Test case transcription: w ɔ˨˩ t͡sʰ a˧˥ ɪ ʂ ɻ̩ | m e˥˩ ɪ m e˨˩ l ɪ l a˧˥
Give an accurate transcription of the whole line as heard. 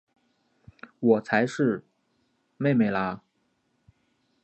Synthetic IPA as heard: w ɔ˨˩ t͡sʰ a˧˥ ɪ ʂ ɻ̩ | m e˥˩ ɪ m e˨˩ ɪ l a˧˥